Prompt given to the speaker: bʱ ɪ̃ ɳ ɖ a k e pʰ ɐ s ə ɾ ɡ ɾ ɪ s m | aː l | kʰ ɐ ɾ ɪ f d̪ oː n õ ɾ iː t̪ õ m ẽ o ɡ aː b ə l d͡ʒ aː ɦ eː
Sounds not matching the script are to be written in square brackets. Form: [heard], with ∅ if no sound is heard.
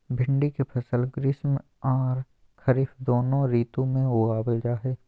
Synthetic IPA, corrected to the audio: bʱ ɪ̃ ɳ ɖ [i] k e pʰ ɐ s ə [l] ɡ ɾ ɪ s m | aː [ɾ] | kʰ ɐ ɾ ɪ f d̪ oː n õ ɾ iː t̪ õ m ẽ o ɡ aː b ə l d͡ʒ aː ɦ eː